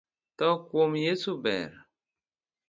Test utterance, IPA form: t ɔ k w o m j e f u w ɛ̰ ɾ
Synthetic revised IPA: t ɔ k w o m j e s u b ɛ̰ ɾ